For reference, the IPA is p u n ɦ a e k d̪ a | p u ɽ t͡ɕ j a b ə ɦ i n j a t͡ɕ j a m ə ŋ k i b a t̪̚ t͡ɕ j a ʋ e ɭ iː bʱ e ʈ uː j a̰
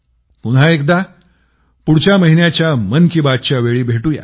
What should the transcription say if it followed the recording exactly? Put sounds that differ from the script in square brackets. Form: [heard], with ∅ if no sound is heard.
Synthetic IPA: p u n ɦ a e k d̪ a | p u ɽ t͡ɕ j a [m] ə ɦ i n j a t͡ɕ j a m ə [n] k i b a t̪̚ t͡ɕ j a ʋ e ɭ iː bʱ e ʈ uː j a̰